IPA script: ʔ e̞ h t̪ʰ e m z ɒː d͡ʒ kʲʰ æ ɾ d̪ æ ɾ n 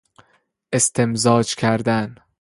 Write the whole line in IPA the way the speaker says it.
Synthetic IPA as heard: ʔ e̞ s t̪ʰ e m z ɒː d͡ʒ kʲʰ æ ɾ d̪ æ n